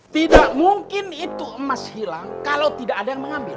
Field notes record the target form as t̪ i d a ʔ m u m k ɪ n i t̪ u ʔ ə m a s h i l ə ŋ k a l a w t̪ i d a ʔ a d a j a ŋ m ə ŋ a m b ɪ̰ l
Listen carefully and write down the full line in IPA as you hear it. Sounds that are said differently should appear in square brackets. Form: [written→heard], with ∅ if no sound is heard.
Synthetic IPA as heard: t̪ i d a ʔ m u [m→ŋ] k ɪ n i t̪ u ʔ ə m a s h i l [ə→a] ŋ k a l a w t̪ i d a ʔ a d a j a ŋ m ə ŋ a m b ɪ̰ l

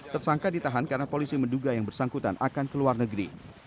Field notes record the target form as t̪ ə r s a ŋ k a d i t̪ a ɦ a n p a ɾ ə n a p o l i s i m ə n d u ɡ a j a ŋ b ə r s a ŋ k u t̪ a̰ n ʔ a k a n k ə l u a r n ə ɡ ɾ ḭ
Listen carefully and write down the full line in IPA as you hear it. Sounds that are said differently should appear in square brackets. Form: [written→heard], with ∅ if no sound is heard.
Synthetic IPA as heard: t̪ ə r s a ŋ k a d i t̪ a ɦ a n [p→k] a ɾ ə n a p o l i s i m ə n d u ɡ a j a ŋ b ə r s a ŋ k u t̪ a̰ n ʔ a k a n k ə l u a r n ə ɡ ɾ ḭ

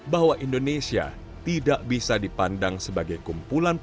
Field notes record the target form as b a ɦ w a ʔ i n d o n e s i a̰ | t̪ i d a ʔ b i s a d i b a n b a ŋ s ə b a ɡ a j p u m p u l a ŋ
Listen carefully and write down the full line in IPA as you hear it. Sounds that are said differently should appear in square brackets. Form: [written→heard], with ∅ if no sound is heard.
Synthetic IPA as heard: b a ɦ w a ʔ i n d o n e s i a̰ | t̪ i d a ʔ b i s a d i [b→p] a n [b→d] a ŋ s ə b a ɡ a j [p→k] u m p u l a [ŋ→n]

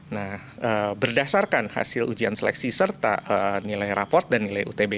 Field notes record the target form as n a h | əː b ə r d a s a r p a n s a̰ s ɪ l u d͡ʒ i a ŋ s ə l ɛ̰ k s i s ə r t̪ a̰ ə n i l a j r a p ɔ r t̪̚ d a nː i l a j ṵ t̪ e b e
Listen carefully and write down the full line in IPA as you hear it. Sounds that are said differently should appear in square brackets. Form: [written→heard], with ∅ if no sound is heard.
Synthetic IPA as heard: n a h | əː b ə r d a s a r [p→k] a n [s→h] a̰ s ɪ l u d͡ʒ i a [ŋ→n] s ə l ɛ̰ k s i s ə r t̪ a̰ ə n i l a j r a p ɔ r t̪̚ d a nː i l a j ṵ t̪ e b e

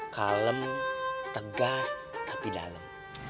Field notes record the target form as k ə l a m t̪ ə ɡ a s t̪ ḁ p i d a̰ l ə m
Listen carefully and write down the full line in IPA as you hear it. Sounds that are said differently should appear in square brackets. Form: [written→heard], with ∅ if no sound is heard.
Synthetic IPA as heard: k [ə→a] l [a→ə] m t̪ ə ɡ a s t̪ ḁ p i d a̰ l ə m

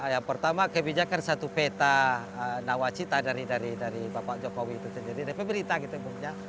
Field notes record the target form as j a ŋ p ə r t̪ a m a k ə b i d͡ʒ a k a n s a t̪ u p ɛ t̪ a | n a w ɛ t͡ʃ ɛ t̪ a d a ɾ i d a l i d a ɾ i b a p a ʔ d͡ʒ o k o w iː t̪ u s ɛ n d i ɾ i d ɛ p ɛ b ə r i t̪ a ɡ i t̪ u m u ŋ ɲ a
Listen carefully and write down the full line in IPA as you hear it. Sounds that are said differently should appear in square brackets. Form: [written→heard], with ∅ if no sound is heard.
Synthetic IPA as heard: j a ŋ p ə r t̪ a m a k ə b i d͡ʒ a k a n s a t̪ u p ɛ t̪ a | n a w [ɛ→a] t͡ʃ [ɛ→i] t̪ a d a ɾ i d a [l→ɾ] i d a ɾ i b a p a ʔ d͡ʒ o k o w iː t̪ u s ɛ n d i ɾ i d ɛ p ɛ b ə [r→ɾ] i t̪ a ɡ i t̪ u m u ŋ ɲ a

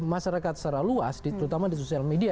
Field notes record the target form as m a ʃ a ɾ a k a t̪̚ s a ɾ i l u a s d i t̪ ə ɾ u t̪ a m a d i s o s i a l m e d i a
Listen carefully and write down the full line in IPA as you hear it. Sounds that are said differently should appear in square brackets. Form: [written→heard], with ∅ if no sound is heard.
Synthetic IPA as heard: m a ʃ a ɾ a k a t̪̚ s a ɾ [i→a] l u a s d i t̪ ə ɾ u t̪ a m a d i s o s i a l m e d i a

